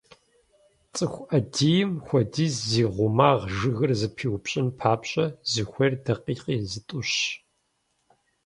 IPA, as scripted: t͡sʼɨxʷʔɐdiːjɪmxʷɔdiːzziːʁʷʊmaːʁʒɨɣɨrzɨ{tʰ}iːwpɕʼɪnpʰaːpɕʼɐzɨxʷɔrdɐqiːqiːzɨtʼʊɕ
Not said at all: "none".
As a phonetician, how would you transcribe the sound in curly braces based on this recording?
pʰ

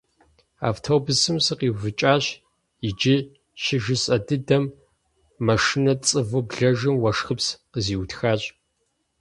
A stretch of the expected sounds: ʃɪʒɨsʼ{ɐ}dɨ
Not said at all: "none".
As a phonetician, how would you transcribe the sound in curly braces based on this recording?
ɐ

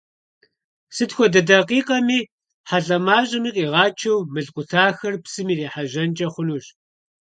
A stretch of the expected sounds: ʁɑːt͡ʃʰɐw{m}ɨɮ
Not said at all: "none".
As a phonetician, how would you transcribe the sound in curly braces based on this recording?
m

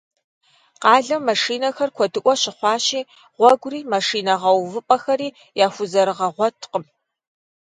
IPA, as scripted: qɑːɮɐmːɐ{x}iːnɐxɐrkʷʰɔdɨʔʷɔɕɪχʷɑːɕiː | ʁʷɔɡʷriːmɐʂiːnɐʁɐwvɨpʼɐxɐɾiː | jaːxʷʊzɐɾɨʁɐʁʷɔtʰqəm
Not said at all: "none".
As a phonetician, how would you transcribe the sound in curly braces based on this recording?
ʂ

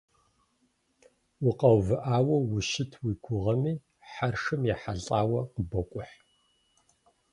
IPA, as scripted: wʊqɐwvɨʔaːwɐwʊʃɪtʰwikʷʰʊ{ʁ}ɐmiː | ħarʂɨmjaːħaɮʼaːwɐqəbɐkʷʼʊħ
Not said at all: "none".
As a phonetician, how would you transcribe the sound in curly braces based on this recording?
ʁ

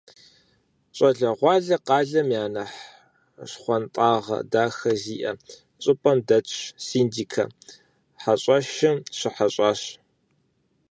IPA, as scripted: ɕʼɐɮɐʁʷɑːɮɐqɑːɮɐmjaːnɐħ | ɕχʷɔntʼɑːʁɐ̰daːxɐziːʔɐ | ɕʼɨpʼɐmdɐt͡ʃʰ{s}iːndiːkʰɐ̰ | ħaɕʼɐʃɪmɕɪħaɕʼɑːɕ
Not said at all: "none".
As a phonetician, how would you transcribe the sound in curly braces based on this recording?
s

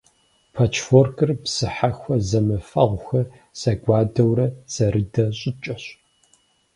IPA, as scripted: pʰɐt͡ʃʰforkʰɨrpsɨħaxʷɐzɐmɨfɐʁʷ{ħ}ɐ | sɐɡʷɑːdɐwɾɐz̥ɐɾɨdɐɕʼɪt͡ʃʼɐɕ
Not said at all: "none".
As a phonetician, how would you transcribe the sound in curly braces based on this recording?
x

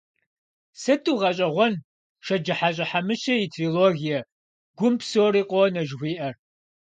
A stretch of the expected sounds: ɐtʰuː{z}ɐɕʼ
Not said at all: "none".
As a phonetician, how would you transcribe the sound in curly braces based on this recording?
ʁ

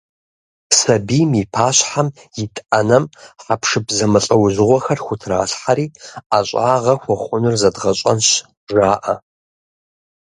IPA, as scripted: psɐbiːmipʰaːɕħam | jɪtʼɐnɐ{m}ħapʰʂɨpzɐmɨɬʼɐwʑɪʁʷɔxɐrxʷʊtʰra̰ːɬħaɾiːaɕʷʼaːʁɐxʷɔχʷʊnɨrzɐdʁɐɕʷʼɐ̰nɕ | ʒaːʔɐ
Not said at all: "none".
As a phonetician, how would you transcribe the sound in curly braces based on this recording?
m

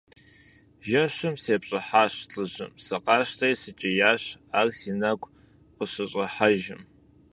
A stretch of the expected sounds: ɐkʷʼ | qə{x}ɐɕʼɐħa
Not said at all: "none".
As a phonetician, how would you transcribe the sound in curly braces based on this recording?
ɕ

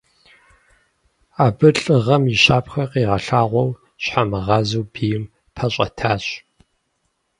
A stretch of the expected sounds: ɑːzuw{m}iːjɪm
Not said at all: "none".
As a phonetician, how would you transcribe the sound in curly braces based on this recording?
b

